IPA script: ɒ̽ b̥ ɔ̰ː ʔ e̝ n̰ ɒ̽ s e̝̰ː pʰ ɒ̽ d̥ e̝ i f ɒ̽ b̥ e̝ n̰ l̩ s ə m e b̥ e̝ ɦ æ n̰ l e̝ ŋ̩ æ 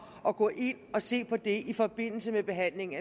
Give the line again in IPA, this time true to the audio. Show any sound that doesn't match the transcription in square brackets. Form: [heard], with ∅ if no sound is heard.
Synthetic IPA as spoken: ɒ̽ [ɡ̥] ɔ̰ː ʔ e̝ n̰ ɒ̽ s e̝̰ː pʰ ɒ̽ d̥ e̝ i f ɒ̽ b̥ e̝ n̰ l̩ s ə m e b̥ e̝ ɦ æ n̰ l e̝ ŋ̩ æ